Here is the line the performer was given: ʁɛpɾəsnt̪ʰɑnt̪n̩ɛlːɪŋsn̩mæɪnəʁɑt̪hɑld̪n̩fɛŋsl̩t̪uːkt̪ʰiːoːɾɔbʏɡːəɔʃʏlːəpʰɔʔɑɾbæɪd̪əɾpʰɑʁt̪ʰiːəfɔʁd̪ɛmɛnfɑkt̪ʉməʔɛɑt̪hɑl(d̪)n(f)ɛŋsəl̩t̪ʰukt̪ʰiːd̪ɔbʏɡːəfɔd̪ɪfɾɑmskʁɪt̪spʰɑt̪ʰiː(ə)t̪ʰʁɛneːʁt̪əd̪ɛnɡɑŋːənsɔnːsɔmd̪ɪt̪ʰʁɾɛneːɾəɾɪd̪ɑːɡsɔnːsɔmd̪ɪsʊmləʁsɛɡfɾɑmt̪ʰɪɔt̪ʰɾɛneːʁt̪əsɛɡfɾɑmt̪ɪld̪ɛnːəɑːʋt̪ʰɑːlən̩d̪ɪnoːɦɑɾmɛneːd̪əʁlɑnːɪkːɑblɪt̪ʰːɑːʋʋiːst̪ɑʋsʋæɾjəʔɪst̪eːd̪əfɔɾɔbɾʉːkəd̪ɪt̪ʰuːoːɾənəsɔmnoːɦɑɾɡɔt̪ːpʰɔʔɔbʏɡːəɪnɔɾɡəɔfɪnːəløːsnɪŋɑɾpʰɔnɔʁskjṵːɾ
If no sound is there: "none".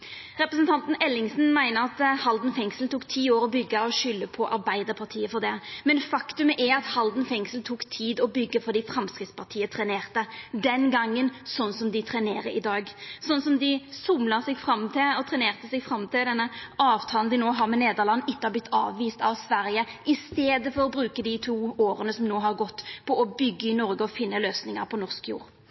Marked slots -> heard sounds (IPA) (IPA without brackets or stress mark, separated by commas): d̪, f, ə